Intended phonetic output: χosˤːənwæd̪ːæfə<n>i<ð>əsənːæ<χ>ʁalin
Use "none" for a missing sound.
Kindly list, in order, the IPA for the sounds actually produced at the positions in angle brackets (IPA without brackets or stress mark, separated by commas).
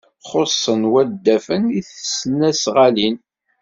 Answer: n, θ, s